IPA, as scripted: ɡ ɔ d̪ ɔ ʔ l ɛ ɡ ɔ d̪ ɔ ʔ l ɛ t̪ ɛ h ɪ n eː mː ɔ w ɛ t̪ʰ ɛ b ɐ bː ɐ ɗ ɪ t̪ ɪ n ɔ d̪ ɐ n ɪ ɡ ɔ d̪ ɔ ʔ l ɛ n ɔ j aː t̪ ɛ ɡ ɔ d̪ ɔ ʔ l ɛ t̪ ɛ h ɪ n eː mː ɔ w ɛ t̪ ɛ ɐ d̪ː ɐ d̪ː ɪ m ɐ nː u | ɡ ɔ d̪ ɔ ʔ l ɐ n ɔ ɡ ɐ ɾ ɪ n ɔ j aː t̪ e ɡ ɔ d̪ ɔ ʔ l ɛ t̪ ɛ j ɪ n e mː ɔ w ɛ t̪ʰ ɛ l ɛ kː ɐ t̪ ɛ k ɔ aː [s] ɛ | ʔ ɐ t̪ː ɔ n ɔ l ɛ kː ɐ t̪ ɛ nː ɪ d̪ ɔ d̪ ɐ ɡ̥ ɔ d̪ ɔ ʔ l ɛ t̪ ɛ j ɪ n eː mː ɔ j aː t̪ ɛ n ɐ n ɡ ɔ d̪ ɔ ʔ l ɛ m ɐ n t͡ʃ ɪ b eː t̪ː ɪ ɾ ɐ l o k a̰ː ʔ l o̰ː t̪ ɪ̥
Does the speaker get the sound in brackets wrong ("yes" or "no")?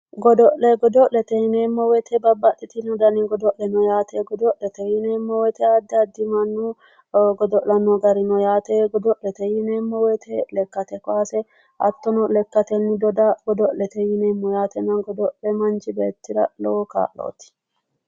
no